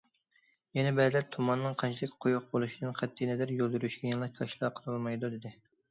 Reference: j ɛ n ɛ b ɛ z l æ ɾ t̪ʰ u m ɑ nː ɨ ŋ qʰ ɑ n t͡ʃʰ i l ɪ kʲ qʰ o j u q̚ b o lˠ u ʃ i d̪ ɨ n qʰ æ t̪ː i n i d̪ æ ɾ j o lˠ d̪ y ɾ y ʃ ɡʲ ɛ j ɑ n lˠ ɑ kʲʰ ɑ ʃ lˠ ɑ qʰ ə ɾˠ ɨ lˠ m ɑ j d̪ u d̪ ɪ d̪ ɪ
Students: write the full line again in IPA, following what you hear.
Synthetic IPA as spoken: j ɛ n ɛ b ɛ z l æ ɾ t̪ʰ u m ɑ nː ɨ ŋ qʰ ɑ n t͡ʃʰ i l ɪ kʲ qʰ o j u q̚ b o lˠ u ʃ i d̪ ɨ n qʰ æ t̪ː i n ɛ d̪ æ ɾ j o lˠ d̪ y ɾ y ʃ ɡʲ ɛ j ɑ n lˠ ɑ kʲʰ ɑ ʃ lˠ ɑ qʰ ə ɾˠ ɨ lˠ m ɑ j d̪ u d̪ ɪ d̪ ɪ